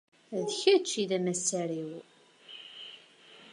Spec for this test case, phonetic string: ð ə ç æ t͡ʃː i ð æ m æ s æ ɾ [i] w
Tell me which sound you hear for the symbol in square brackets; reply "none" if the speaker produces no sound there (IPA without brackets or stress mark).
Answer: i